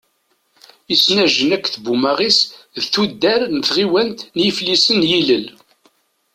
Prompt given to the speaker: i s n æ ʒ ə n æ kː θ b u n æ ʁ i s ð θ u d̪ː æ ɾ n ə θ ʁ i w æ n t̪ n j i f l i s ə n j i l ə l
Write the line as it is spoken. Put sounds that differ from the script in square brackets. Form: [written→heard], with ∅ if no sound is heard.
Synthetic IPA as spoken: i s n æ ʒ ə n æ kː θ b u [n→m] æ ʁ i s ð θ u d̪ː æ ɾ n ə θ ʁ i w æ n t̪ n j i f l i s ə n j i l ə l